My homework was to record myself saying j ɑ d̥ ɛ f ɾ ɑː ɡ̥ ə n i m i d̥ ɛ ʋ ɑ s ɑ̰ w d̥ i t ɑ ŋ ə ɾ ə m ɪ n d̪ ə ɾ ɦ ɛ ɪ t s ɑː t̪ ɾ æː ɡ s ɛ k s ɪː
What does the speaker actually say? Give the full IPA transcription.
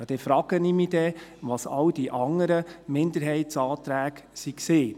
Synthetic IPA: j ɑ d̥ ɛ f ɾ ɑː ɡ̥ ə n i m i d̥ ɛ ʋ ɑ s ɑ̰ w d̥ i ʔ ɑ ŋ ə ɾ ə m ɪ n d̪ ə ɾ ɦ ɛ ɪ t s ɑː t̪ ɾ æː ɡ s i k s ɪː

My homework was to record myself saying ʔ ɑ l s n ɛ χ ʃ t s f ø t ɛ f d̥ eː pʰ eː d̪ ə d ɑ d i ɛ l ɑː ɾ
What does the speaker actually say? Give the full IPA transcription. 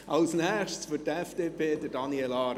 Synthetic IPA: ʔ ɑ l s n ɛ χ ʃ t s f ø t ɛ f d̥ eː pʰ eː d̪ ə d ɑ n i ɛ l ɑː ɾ

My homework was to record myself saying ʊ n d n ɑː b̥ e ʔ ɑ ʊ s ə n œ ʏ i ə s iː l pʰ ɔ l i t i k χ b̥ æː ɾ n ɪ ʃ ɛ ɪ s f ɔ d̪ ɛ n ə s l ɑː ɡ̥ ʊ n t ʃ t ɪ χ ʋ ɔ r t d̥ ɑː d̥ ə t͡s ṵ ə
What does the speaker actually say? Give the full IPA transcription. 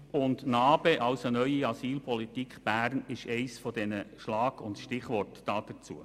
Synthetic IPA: ʊ n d n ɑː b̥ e ʔ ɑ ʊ s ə n œ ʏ i ɑ s iː l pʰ ɔ l i t i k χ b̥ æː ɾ n ɪ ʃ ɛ ɪ s f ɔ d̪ ɛ n ə ʃ l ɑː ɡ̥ ʊ n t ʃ t ɪ χ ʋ ɔ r t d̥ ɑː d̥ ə t͡s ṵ ə

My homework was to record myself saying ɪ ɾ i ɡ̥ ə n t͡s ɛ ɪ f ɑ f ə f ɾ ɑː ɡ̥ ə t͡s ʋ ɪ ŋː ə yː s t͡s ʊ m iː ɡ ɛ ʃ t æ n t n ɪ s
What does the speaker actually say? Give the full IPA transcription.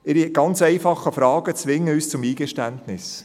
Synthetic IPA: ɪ ɾ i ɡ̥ ɑ n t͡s ɛ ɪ f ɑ χ ə f ɾ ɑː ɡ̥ ə t͡s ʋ ɪ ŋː ə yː s t͡s ʊ m iː ɡ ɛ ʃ t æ n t n ɪ s

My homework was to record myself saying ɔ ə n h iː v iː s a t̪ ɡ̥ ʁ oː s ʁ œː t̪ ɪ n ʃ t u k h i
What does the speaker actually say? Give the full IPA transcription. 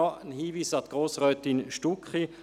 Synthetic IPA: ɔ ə n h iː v iː s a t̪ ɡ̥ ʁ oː s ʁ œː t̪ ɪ n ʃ t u k χ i

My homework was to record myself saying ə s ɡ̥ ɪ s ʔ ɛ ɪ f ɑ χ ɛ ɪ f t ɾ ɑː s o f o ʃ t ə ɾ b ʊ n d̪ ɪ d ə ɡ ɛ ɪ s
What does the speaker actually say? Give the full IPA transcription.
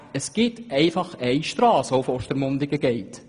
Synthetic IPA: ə s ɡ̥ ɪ t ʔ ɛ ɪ f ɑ χ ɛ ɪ ʃ t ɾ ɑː s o f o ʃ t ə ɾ m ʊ n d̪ ɪ ɡ ə ɡ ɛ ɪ t

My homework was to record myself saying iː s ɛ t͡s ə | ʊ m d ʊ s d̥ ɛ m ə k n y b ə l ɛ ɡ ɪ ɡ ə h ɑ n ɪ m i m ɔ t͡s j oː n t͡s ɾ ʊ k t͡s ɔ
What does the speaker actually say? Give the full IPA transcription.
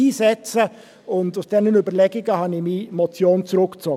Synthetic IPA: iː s ɛ t͡s ə | ʊ n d ʊ s d̥ ɛ n ə n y b ə l ɛ ɡ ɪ ɡ ə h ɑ n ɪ m i m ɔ t͡s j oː n t͡s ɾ ʊ k t͡s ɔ

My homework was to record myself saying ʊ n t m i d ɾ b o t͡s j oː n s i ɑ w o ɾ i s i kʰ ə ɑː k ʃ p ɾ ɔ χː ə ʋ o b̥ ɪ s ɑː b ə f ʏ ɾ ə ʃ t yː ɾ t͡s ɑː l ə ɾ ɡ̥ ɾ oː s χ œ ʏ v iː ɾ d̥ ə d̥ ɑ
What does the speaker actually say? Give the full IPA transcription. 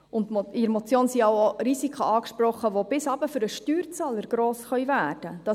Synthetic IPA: ʊ n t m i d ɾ m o t͡s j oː n s i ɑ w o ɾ i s i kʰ ə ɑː k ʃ p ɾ ɔ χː ə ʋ o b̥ ɪ s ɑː b ə f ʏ ɾ ə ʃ t yː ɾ t͡s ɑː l ə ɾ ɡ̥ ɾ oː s χ œ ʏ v æː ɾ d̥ ə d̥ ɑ

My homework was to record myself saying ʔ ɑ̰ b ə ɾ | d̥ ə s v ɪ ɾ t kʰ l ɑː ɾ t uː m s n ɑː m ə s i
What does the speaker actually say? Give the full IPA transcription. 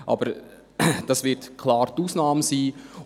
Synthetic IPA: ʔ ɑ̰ b ə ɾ | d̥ ɑ s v ɪ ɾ t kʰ l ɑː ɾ t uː s n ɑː m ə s iː

